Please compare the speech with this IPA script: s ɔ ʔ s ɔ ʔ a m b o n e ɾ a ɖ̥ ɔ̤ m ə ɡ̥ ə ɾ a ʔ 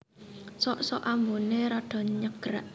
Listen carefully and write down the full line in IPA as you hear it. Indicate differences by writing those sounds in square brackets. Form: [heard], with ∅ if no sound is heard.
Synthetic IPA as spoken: s ɔ ʔ s ɔ ʔ a m b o n e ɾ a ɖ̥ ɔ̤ [ɲ] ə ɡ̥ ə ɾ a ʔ